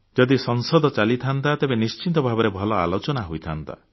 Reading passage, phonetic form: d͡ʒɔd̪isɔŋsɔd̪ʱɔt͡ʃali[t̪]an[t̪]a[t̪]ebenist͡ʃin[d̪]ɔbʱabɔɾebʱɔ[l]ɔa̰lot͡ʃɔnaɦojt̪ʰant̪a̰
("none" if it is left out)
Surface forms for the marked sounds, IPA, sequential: t̪ʰ, t̪, t̪, t̪, l

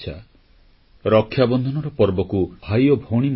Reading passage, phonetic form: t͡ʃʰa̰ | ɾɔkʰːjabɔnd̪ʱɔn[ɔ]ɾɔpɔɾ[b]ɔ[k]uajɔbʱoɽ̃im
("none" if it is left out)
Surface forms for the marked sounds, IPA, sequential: ɔ, b, k

